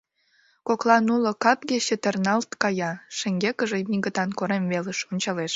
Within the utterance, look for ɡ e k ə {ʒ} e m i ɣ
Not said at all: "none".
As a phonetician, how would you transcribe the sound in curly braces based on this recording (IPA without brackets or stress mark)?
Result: ʒ